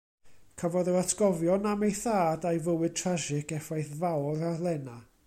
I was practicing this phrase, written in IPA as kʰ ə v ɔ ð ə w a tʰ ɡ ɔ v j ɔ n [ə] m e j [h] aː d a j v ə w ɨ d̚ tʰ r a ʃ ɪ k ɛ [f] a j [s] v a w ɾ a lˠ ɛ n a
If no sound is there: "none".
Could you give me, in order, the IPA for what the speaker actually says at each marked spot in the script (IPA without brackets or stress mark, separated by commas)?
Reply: a, θ, f, θ